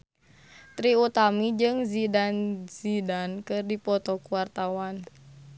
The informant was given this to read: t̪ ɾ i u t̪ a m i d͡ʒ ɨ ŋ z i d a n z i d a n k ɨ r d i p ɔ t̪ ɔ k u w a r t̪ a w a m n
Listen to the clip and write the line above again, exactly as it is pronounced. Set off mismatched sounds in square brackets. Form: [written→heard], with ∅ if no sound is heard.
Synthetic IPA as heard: t̪ ɾ i u t̪ a m i d͡ʒ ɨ ŋ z i d a n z i d a n k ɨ r d i p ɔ t̪ ɔ k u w a r t̪ a w a [m→∅] n